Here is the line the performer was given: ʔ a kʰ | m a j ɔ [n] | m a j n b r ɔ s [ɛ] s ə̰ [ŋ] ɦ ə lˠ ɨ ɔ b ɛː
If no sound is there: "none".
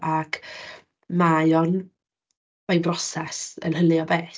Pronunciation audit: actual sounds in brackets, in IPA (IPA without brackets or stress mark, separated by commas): n, ɛ, n